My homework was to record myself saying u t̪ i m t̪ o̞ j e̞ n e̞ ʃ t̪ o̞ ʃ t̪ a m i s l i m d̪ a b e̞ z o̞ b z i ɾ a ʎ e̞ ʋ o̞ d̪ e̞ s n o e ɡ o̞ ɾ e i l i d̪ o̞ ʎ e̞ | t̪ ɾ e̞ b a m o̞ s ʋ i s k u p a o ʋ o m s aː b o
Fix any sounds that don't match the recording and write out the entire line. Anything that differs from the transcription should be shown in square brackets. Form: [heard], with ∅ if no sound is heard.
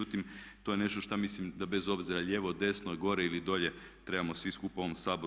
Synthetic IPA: u t̪ i m t̪ o̞ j e̞ n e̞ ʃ t̪ o̞ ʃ t̪ a m i s l i m d̪ a b e̞ z o̞ b z i ɾ a ʎ e̞ ʋ o̞ d̪ e̞ s n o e ɡ o̞ ɾ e i l i d̪ o̞ ʎ e̞ | t̪ ɾ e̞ b a m o̞ s ʋ i s k u p a o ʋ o m s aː b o